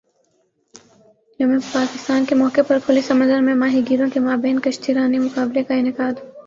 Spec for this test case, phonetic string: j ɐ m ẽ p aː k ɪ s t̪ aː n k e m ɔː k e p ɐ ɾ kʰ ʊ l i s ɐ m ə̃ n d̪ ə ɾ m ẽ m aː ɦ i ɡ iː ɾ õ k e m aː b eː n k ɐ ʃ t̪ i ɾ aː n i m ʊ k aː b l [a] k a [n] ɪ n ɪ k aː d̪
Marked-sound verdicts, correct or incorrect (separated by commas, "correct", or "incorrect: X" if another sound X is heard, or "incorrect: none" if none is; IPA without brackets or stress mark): incorrect: e, incorrect: none